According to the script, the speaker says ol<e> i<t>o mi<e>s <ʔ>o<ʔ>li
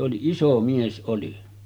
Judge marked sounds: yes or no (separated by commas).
no, no, yes, yes, no